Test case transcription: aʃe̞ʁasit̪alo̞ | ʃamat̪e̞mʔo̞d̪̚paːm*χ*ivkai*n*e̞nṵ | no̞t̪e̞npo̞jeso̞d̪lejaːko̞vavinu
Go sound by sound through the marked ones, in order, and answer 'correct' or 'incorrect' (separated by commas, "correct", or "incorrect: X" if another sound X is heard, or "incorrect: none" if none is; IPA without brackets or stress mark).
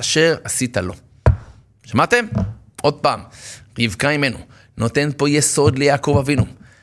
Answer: incorrect: ʁ, incorrect: m